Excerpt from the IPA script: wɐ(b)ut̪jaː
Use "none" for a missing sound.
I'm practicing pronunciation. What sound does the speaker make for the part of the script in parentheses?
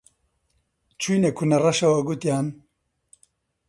ɡ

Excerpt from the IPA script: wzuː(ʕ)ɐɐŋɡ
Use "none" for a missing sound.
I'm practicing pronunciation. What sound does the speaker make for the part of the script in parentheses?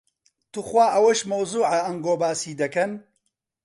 ʕ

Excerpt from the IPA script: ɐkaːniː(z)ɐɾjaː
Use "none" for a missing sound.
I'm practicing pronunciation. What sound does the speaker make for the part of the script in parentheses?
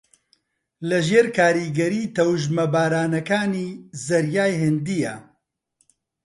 z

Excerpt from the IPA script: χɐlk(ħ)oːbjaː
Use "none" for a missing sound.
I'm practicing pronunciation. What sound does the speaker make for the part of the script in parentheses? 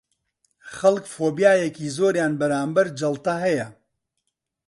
f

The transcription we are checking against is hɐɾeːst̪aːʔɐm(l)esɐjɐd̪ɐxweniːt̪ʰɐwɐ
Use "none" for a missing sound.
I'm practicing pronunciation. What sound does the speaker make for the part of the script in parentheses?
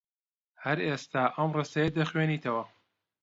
r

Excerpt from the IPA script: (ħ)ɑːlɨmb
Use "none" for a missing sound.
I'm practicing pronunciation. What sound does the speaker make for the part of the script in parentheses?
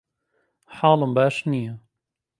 ħ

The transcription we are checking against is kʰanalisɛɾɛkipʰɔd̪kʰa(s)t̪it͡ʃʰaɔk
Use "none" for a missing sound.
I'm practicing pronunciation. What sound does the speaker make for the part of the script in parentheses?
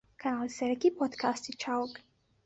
s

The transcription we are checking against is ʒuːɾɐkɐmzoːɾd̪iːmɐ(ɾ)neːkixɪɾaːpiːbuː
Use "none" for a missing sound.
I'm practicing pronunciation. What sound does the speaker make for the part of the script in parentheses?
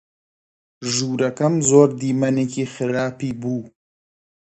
none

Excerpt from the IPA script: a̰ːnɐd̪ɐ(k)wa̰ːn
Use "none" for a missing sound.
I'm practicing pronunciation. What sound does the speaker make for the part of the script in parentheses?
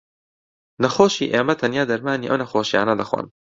x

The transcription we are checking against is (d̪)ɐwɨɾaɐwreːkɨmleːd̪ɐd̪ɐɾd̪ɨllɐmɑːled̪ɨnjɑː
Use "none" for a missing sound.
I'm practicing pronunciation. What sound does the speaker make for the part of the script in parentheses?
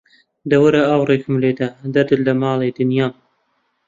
d̪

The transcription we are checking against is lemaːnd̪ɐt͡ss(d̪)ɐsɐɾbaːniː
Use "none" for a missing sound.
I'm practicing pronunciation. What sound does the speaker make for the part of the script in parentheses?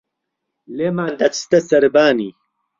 t̪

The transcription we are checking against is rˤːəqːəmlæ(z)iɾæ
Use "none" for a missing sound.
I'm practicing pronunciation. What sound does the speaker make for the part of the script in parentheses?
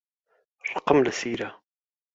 s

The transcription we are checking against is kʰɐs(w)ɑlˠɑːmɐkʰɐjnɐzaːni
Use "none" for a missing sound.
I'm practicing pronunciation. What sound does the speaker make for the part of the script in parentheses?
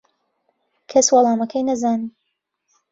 w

